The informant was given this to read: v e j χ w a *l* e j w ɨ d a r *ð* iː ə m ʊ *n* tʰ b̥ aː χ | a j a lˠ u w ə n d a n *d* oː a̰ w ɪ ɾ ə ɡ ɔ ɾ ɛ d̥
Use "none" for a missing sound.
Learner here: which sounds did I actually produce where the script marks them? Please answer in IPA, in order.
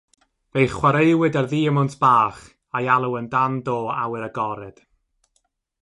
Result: ɾ, ð, n, d

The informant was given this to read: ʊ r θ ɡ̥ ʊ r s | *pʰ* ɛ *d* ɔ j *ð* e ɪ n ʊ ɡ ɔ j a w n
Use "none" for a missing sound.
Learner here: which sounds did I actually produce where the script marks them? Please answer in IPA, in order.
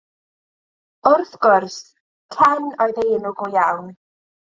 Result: kʰ, n, ð

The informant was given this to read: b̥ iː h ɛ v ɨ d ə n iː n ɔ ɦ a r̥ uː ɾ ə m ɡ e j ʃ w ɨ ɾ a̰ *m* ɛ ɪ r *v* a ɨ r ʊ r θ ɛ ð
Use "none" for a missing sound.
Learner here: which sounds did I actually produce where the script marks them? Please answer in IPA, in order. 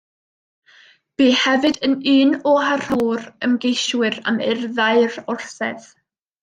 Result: m, ð

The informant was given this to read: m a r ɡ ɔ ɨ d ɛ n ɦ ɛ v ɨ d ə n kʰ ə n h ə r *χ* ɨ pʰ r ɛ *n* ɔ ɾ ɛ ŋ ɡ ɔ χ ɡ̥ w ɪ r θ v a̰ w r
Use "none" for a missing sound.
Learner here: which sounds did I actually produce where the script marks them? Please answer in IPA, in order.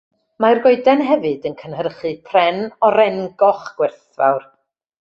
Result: χ, n

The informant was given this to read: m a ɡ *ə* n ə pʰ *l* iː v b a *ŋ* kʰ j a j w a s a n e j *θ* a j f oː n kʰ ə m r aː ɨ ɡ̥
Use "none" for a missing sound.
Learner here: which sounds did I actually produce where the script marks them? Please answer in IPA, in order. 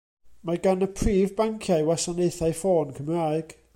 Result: a, r, ŋ, θ

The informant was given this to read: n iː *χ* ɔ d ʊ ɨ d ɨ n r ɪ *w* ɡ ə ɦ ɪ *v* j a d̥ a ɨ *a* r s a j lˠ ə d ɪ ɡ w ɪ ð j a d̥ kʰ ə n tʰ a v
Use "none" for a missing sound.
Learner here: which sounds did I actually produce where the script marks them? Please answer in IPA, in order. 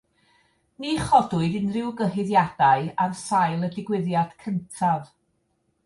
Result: χ, w, ð, a

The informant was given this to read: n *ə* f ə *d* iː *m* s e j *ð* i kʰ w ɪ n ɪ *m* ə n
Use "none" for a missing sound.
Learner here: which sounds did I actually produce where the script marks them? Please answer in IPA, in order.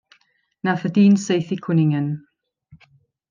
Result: a, d, n, θ, ŋ

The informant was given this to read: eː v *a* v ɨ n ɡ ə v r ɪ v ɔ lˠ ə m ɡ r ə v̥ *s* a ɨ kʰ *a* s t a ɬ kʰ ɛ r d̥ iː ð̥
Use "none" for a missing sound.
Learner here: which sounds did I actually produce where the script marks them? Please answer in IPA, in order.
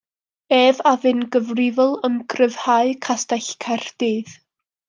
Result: a, h, a

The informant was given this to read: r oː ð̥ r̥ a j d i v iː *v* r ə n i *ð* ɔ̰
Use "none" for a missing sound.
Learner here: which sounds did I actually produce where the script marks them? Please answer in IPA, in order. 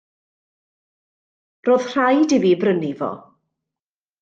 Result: b, v

